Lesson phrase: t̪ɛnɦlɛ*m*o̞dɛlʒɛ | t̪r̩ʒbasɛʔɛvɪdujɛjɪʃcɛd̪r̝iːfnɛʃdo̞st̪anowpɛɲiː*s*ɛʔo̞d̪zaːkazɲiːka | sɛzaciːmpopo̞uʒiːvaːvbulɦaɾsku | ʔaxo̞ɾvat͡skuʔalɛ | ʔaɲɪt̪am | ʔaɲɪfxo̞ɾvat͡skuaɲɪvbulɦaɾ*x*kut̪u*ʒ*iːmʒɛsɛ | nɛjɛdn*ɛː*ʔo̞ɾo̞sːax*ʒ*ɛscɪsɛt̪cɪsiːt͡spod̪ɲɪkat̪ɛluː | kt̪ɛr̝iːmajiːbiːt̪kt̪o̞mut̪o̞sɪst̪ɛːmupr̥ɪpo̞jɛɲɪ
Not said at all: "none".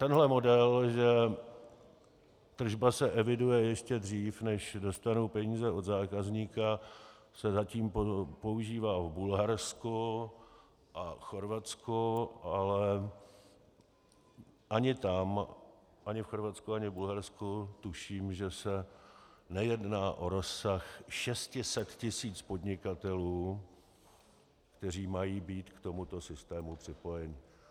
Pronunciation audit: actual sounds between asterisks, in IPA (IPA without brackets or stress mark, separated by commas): m, z, s, ʃ, aː, ʃ